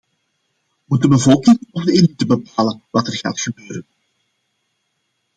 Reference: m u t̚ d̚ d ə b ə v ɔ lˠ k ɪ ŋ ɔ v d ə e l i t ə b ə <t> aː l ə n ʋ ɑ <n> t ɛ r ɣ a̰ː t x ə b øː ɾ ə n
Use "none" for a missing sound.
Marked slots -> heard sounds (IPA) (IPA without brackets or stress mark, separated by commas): p, none